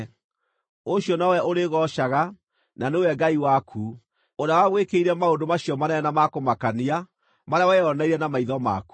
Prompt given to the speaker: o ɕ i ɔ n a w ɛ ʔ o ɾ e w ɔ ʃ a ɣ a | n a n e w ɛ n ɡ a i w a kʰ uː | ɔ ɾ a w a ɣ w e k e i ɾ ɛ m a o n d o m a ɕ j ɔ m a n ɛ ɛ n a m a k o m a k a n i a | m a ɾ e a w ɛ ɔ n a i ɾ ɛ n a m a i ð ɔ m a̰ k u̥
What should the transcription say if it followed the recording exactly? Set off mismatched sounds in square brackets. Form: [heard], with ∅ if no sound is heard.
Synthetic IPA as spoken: o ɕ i ɔ n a w ɛ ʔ o ɾ e [ɣ] ɔ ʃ a ɣ a | n a n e w ɛ [∅] ɡ a i w a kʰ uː | [o] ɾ a w a ɣ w e k e i ɾ ɛ m a o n d o m a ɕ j ɔ m a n ɛ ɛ n a m a k o m a k a n i a | m a ɾ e a w ɛ ɔ n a i ɾ ɛ n a m a i ð ɔ m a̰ k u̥